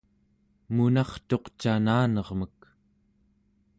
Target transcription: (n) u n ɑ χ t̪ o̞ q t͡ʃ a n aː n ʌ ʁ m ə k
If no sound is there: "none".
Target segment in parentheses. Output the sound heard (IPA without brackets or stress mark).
m